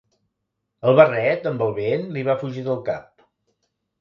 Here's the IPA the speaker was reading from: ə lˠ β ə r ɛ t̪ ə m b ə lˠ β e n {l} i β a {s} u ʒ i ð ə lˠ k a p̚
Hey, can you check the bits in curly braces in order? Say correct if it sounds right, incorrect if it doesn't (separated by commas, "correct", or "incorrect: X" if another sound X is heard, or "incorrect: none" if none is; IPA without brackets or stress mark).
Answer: correct, incorrect: f